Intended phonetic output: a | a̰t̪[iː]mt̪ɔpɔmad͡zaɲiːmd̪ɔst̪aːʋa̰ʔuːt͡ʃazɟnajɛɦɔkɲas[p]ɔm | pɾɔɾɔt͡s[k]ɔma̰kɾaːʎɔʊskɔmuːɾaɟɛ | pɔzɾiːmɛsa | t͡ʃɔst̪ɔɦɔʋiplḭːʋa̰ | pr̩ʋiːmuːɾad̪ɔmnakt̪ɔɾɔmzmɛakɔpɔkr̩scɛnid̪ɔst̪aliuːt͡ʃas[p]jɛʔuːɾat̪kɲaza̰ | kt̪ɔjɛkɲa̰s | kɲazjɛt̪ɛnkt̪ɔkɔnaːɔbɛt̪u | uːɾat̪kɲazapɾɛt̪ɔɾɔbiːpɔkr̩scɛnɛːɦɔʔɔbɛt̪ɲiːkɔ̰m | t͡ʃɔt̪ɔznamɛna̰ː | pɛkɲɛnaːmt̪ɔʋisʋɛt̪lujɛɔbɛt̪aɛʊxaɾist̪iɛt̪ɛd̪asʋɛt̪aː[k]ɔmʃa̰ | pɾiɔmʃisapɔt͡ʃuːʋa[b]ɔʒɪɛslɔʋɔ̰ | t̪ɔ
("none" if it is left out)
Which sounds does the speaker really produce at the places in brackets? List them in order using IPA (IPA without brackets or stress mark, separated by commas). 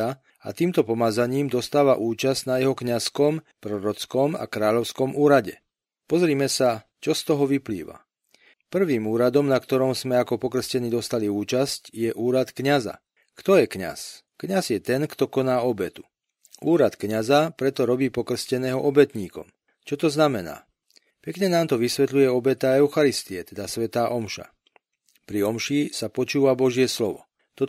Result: iː, k, k, c, ʔ, b